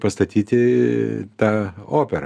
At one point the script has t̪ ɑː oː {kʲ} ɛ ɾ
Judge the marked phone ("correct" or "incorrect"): incorrect